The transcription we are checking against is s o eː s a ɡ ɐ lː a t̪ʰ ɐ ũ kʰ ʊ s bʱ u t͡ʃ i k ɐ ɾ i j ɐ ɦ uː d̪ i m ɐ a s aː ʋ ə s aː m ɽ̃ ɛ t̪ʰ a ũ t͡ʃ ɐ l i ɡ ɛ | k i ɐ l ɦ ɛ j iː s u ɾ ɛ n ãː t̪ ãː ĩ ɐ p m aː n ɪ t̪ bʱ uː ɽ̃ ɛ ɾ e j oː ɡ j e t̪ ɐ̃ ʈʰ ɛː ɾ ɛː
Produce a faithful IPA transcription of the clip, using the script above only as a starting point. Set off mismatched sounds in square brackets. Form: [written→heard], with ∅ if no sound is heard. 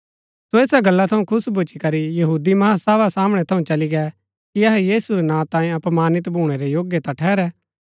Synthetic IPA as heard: s o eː s a ɡ ɐ lː a t̪ʰ ɐ ũ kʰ ʊ s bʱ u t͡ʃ i k ɐ ɾ i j ɐ ɦ uː d̪ i m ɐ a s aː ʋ [ə→a] s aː m ɽ̃ ɛ t̪ʰ [a→ɐ] ũ t͡ʃ ɐ l i ɡ ɛ | k i ɐ [l→∅] ɦ ɛ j iː s u ɾ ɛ n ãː t̪ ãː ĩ ɐ p m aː n ɪ t̪ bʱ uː ɽ̃ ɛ ɾ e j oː ɡ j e t̪ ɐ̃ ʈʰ ɛː ɾ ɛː